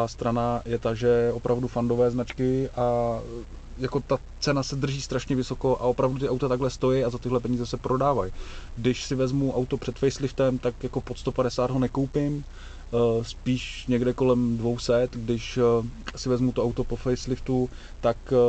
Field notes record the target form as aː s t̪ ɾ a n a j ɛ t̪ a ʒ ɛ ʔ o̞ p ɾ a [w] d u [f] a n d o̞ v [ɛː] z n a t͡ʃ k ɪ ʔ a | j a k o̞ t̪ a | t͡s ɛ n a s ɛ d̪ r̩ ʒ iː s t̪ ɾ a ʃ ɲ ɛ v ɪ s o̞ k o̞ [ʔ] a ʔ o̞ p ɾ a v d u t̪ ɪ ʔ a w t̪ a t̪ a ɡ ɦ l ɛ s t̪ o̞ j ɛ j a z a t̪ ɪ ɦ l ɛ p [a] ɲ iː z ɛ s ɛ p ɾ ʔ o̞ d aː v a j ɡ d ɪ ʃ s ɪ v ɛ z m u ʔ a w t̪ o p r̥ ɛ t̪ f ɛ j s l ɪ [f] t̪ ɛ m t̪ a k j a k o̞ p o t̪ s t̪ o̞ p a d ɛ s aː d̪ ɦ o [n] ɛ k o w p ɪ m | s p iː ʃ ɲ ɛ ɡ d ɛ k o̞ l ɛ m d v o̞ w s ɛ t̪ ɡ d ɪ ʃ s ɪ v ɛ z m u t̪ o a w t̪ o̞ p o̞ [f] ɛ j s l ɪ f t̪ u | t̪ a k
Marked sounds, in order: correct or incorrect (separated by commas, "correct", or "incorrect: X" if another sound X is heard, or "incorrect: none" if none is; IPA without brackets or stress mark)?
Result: incorrect: v, correct, correct, correct, incorrect: ɛ, correct, correct, correct